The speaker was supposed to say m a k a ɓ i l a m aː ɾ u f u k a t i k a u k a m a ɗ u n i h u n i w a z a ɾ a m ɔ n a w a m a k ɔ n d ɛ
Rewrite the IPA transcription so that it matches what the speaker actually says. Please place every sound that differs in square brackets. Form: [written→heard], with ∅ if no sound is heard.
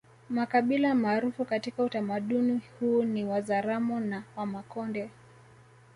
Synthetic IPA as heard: m a k a ɓ i l a m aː ɾ u f u k a t i k a u [k→t] a m a ɗ u n i h u n i w a z a ɾ a m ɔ n a w a m a k ɔ n d ɛ